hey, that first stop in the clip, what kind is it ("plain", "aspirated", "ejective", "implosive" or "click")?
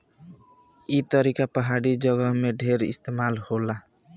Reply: plain